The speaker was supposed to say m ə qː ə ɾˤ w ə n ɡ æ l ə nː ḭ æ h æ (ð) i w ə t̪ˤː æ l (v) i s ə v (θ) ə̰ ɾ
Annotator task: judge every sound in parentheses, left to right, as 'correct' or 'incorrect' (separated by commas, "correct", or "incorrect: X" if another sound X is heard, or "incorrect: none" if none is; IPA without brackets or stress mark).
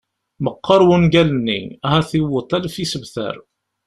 incorrect: θ, incorrect: f, correct